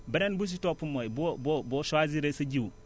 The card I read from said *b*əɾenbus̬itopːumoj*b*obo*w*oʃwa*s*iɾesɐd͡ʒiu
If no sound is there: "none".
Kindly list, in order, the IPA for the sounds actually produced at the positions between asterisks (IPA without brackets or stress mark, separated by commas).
b, b, b, z